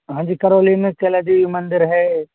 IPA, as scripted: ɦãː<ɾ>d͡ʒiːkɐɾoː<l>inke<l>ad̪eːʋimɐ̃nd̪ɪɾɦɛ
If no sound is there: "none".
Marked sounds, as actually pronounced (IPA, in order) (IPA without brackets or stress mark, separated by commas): none, l, l